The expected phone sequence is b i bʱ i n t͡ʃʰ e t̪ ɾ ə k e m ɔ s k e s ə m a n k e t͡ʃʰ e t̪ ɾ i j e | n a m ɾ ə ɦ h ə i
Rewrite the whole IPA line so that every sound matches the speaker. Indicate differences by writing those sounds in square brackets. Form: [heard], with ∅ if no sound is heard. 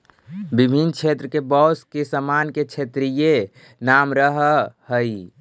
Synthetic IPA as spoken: b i bʱ i n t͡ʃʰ e t̪ ɾ ə k e [b] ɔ s k e s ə m a n k e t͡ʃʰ e t̪ ɾ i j e | n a m ɾ ə ɦ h ə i